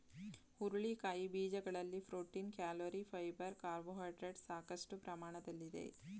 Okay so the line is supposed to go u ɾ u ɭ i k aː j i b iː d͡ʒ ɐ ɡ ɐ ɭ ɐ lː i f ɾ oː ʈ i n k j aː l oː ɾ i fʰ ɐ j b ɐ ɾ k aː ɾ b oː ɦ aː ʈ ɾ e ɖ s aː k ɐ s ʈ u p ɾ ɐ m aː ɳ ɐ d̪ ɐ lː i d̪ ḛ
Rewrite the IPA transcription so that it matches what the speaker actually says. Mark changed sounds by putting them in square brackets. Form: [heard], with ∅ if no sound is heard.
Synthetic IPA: u ɾ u ɭ i k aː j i b iː d͡ʒ ɐ ɡ ɐ ɭ ɐ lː i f ɾ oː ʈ i n k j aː l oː ɾ i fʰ ɐ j b ɐ ɾ k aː ɾ b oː ɦ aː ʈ ɾ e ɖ s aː k ɐ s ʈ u p ɾ ɐ m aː ɳ ɐ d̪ ɐ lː i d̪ ḛ